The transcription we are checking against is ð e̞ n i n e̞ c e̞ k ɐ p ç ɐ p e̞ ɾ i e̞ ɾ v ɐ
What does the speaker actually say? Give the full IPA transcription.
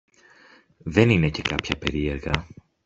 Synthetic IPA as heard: ð e̞ n i n e̞ c e̞ k ɐ p ç ɐ p e̞ ɾ i e̞ ɾ ɣ ɐ